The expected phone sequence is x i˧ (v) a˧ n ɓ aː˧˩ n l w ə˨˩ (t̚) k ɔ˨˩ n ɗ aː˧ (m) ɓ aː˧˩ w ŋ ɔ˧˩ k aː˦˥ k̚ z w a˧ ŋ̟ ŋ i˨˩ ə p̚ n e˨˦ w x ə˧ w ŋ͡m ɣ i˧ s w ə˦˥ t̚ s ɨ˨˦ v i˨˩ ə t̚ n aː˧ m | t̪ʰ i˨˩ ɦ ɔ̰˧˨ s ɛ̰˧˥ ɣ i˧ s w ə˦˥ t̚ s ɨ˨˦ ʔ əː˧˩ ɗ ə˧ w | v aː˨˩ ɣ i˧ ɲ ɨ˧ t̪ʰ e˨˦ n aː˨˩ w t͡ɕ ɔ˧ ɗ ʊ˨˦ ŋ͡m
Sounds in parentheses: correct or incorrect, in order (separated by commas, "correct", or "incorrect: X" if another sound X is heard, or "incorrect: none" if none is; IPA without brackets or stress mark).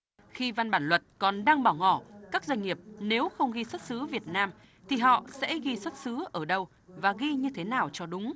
correct, correct, incorrect: ŋ